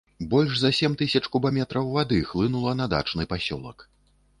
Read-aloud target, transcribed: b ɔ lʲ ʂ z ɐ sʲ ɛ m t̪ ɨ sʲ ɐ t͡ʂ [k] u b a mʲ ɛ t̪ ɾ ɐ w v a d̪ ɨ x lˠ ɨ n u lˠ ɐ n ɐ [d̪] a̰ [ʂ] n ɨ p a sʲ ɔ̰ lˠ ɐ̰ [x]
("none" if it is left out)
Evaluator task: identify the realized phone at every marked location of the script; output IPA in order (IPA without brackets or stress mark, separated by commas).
k, d̪, t͡ʂ, k